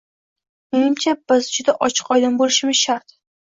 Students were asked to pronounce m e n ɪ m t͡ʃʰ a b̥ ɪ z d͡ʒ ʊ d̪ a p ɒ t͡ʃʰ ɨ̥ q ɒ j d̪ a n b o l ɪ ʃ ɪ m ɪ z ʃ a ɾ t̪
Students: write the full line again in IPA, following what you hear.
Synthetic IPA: m e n ɪ m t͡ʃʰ a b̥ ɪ z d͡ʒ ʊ d̪ a ʔ ɒ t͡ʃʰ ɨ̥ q ɒ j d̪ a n b o l ɪ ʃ ɪ m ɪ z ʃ a ɾ t̪